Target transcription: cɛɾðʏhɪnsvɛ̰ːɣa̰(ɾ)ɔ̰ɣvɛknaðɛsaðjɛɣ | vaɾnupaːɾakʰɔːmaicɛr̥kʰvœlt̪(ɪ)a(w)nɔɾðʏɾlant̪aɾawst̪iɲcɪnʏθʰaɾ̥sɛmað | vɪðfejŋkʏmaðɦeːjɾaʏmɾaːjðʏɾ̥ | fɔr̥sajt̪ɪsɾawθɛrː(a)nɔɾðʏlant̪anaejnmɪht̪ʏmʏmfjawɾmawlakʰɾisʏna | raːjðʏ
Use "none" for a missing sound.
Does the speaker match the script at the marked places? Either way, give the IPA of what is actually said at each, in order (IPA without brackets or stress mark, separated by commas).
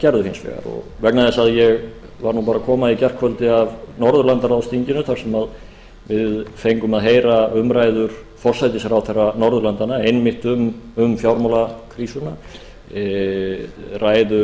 ɾ, ɪ, v, a